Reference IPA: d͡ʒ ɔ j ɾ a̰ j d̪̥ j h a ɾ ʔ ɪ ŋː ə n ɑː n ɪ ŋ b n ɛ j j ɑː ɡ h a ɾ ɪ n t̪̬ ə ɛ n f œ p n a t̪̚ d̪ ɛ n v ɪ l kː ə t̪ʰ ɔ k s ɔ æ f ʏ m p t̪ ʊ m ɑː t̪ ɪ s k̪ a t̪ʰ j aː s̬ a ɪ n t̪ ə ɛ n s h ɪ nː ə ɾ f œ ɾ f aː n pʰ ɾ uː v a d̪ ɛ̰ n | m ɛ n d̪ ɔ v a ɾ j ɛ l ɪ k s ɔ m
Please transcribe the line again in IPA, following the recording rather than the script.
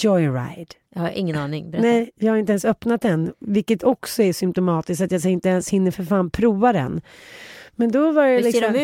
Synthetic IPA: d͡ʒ ɔ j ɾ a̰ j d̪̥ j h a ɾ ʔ ɪ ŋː ə n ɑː n ɪ ŋ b n ɛ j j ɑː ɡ h a ɾ ɪ n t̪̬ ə ɛ n s œ p n a t̪̚ d̪ ɛ n v ɪ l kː ə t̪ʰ ɔ k s ɔ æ ʂ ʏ m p t̪ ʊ m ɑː t̪ ɪ s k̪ a t̪ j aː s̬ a ɪ n t̪ ə ɛ n s h ɪ nː ə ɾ f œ ɾ f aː n pʰ ɾ uː v a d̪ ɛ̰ n | m ɛ n d̪ ɔ v a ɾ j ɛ l ɪ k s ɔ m